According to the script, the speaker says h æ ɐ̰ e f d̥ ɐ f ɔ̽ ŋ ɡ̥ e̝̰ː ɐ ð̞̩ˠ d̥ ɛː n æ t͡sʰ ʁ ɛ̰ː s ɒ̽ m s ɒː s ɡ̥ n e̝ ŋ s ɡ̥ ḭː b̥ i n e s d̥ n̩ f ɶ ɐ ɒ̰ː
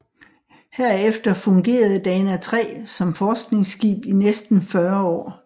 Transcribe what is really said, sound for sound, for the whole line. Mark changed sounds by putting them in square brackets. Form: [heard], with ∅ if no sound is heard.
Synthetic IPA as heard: h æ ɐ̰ e f d̥ ɐ f ɔ̽ ŋ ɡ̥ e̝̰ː ɐ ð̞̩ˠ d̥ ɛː n æ t͡sʰ ʁ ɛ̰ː s ɒ̽ m [f] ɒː s ɡ̥ n e̝ ŋ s ɡ̥ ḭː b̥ i n e s d̥ n̩ f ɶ ɐ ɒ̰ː